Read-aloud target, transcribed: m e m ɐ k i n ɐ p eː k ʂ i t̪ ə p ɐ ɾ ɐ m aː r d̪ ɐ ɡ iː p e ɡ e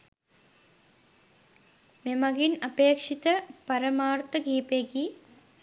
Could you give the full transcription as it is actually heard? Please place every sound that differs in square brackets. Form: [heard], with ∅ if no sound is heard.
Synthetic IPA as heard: m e m ɐ [ɡ] i n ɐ p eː k ʂ i t̪ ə p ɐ ɾ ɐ m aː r [t̪] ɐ ɡ iː p e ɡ [i]

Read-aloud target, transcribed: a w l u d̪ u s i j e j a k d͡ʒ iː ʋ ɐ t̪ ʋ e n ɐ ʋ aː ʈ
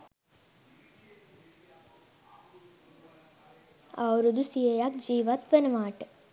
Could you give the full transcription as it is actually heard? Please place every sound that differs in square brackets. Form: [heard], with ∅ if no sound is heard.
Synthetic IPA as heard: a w [ɾ] u d̪ u s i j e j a k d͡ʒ iː ʋ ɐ t̪ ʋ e n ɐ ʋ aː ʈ

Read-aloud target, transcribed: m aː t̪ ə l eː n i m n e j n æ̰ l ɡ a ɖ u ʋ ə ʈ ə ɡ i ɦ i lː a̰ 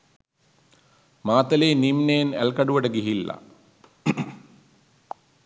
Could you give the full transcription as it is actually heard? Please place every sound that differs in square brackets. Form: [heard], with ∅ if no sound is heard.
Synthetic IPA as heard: m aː t̪ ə l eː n i m n e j n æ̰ l [k] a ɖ u ʋ ə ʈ ə ɡ i ɦ i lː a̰

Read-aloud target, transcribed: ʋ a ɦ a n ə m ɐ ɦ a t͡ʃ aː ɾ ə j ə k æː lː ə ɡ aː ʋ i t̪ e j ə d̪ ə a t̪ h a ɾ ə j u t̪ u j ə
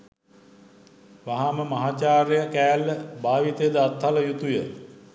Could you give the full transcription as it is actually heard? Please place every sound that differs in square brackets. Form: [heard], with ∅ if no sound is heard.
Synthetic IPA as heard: ʋ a ɦ a [m] ə m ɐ ɦ a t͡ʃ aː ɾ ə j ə k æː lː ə [b] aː ʋ i t̪ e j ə d̪ ə a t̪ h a [l] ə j u t̪ u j ə

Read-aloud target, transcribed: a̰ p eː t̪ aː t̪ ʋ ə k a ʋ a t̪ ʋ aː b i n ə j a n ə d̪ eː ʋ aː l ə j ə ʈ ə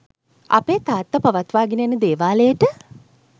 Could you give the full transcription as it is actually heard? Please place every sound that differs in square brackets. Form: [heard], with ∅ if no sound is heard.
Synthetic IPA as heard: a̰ p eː t̪ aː t̪ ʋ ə [p] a ʋ a t̪ ʋ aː [ɡ] i n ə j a n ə d̪ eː ʋ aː l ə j ə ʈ ə

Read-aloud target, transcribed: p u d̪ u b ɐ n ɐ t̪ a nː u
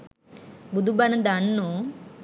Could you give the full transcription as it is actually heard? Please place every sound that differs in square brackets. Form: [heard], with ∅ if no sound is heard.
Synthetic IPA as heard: [b] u d̪ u b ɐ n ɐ [d̪] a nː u

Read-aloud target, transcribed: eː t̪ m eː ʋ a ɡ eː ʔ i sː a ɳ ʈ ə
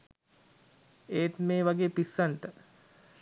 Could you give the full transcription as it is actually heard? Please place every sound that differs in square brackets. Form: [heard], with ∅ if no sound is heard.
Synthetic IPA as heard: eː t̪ m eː ʋ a ɡ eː [p] i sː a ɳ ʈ ə

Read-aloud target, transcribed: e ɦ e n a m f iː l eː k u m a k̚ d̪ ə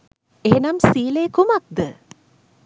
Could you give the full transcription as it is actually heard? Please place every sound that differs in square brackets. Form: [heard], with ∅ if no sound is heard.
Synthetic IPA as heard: e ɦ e n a m [s] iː l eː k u m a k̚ d̪ ə

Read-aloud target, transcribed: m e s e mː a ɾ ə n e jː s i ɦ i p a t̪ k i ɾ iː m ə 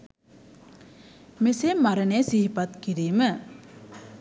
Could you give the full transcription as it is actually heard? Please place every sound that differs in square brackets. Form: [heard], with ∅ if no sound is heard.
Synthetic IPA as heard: m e s e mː a ɾ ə n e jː s i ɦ i p a t̪ k i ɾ iː m ə

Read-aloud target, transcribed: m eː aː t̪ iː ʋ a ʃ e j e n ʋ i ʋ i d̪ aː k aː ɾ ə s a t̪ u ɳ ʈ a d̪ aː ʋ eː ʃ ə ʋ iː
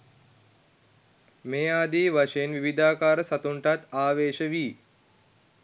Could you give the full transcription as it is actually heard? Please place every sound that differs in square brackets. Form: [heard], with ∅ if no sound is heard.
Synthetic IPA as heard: m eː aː [d̪] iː ʋ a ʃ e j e n ʋ i ʋ i d̪ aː k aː ɾ ə s a t̪ u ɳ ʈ a [t̪] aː ʋ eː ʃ ə ʋ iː

